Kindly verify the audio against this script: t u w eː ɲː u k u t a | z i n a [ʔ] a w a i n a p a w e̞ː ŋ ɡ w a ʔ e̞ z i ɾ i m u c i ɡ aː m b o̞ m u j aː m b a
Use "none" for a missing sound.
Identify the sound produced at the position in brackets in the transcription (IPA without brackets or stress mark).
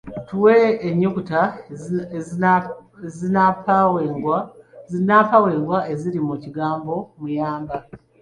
p